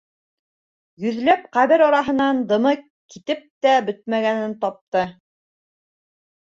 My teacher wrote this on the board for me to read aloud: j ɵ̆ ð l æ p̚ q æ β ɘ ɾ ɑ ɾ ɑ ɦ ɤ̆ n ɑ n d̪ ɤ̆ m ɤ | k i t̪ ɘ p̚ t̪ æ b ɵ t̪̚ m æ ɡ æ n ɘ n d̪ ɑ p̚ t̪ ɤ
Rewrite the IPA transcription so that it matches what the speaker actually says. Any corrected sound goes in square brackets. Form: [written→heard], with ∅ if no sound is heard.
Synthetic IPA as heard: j ɵ̆ ð l æ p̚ q æ β ɘ ɾ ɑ ɾ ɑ ɦ ɤ̆ n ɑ n d̪ ɤ̆ m ɤ | k i t̪ ɘ p̚ t̪ æ b ɵ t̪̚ m æ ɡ æ n ɘ n [d̪→t̪] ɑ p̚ t̪ ɤ

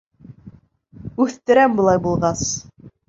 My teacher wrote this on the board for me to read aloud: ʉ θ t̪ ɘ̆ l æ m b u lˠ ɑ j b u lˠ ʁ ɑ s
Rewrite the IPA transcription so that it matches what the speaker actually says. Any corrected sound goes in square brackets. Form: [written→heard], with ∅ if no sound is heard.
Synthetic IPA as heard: ʉ θ t̪ ɘ̆ [l→ɾ] æ m b u lˠ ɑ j b u lˠ ʁ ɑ s

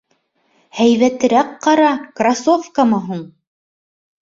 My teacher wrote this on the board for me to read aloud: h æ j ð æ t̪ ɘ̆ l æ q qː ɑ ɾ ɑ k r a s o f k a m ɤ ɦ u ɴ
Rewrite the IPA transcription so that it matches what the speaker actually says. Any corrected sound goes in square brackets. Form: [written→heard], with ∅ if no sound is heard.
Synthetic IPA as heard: h æ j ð æ t̪ ɘ̆ [l→ɾ] æ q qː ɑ ɾ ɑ k r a s o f k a m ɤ ɦ u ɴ

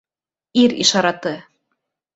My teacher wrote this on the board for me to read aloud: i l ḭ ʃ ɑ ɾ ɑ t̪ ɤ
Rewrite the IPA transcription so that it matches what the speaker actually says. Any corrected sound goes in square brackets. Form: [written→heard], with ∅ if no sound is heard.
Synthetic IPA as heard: i [l→ɾ] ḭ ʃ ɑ ɾ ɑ t̪ ɤ

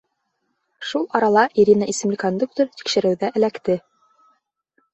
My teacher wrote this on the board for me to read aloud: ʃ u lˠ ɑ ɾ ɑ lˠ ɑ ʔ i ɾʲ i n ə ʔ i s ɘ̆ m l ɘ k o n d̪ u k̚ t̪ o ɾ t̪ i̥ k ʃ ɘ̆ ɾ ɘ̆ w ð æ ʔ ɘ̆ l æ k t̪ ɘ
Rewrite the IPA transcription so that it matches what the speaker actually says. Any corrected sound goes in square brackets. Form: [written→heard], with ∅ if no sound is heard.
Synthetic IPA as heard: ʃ u lˠ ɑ ɾ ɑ lˠ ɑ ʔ i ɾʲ i n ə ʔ i s ɘ̆ m l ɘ k o n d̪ u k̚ t̪ o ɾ t̪ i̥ k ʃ ɘ̆ ɾ ɘ̆ w ð æ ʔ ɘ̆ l æ k t̪ ɘ

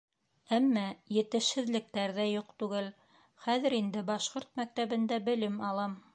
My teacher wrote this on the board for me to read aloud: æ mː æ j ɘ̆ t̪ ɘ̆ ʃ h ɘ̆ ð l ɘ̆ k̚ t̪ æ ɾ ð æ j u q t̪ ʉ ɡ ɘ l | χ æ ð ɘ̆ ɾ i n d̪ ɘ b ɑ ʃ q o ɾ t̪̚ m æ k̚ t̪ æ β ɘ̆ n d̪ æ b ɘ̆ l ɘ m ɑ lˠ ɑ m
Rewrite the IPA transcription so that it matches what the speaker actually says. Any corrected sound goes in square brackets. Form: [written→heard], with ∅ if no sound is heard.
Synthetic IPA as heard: æ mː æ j ɘ̆ t̪ ɘ̆ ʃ h ɘ̆ ð l ɘ̆ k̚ t̪ æ ɾ ð æ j u q t̪ ʉ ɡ ɘ l | χ æ ð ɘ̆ ɾ i n d̪ ɘ b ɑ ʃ q o ɾ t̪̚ m æ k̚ t̪ æ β ɘ̆ n d̪ æ b ɘ̆ l ɘ m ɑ lˠ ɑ m

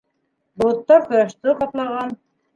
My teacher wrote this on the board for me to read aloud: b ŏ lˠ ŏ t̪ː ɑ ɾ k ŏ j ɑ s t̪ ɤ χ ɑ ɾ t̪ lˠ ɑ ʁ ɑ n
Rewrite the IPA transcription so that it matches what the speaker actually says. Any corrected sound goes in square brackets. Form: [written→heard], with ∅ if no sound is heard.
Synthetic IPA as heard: b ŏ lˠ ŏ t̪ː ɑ ɾ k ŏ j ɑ [s→ʃ] t̪ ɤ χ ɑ [ɾ→∅] t̪ lˠ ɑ ʁ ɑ n

